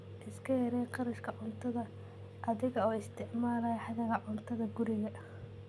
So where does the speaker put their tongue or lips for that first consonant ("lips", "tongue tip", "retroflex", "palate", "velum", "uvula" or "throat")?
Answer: throat